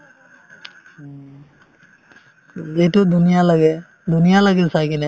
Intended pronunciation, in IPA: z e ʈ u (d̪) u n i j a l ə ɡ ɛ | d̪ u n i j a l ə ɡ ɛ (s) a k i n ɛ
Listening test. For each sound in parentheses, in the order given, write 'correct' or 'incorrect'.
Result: correct, correct

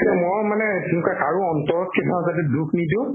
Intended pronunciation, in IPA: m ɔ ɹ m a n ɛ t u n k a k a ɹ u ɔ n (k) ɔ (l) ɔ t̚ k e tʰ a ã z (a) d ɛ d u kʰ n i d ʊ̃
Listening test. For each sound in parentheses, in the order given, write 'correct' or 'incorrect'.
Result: incorrect: t, incorrect: ɹ, correct

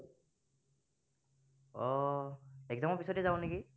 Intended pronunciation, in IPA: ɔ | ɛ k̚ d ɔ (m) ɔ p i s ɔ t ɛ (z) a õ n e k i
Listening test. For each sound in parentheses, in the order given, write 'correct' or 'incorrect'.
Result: correct, correct

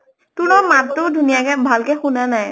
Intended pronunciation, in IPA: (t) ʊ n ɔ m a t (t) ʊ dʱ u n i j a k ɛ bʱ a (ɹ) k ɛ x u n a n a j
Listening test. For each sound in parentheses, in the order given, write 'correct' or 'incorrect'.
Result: correct, correct, incorrect: l

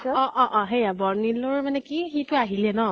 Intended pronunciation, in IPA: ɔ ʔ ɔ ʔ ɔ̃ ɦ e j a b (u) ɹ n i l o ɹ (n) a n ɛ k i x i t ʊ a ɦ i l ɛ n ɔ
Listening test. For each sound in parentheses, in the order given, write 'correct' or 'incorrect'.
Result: incorrect: ɔ, incorrect: m

